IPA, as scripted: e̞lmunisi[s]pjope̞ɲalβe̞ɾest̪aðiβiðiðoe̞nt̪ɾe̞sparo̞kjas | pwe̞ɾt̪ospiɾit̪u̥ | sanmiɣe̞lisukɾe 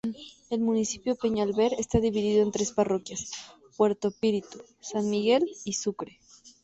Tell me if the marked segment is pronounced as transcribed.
no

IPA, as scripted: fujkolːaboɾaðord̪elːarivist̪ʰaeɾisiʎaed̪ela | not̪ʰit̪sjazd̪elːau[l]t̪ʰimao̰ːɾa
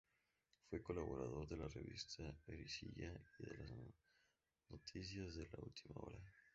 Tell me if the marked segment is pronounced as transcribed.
yes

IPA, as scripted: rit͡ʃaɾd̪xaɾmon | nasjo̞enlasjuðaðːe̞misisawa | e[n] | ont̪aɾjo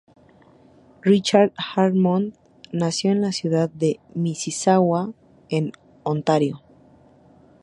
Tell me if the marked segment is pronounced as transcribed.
yes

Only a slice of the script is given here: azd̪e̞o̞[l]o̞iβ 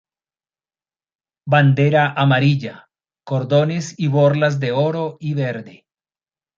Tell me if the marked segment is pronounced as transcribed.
no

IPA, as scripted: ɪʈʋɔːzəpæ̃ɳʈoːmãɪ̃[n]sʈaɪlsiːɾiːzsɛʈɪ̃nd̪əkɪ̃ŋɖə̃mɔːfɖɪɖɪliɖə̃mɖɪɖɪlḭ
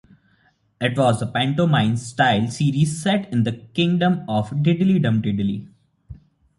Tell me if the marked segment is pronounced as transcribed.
yes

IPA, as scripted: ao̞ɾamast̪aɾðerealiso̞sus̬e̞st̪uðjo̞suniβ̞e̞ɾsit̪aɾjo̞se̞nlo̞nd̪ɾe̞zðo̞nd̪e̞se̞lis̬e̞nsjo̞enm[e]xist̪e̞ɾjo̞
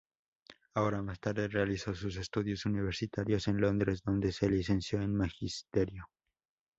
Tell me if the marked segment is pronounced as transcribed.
no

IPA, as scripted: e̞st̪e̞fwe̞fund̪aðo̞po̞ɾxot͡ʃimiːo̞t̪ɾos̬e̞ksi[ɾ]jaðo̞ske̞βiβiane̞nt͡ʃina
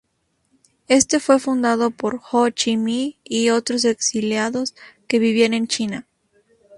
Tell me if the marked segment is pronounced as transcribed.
no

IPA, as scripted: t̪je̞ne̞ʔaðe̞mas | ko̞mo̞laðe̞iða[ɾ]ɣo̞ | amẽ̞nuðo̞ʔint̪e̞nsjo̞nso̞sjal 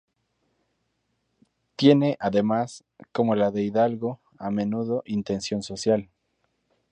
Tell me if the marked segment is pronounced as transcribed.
no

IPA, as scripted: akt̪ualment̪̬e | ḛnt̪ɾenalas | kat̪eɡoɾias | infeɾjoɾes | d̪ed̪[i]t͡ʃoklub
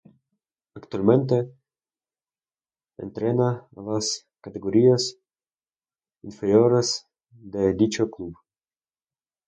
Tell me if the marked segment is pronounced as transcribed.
yes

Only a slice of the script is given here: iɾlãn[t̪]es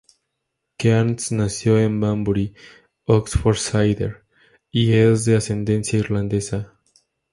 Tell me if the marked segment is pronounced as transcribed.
no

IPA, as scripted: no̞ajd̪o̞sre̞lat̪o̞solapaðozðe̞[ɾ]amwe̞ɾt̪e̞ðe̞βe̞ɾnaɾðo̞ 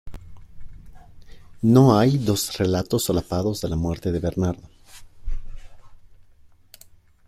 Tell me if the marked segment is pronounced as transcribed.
no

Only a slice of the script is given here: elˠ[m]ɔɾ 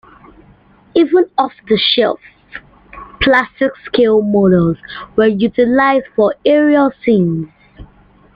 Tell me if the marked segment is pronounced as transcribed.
yes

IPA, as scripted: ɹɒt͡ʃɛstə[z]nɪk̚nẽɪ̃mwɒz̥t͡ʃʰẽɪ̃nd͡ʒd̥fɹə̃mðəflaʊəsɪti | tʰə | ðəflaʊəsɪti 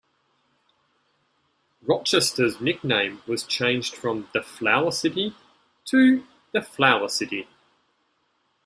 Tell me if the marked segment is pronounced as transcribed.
yes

